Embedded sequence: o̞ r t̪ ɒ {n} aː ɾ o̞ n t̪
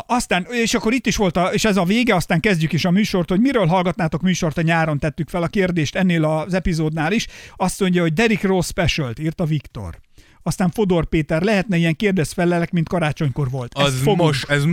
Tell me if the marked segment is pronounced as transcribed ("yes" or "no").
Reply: no